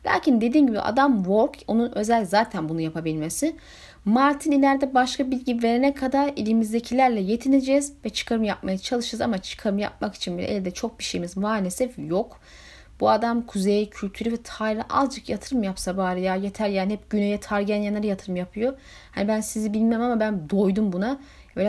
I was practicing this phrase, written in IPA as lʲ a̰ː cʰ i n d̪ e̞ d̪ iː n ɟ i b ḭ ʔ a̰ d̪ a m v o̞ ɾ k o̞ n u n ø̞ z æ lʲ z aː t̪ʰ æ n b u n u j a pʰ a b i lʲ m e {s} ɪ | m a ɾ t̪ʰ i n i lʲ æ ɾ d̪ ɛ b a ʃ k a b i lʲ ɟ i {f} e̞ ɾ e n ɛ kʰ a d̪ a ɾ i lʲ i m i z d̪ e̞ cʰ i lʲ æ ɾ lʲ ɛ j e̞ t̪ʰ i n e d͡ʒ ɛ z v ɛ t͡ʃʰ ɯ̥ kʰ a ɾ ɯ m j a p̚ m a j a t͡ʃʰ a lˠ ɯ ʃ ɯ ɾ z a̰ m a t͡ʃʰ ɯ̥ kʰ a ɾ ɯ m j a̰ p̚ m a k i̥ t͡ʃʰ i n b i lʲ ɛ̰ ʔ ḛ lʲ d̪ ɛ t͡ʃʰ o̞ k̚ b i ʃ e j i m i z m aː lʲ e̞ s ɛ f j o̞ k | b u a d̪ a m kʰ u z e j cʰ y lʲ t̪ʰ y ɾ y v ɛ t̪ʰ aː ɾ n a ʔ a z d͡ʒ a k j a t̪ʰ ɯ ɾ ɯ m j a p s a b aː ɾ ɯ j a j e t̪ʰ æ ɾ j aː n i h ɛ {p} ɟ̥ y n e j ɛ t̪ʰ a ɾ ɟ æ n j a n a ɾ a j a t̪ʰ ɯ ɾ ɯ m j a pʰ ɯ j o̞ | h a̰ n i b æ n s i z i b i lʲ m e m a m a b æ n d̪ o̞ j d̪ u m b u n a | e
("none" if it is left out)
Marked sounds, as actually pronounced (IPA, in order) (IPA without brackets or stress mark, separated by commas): s, v, p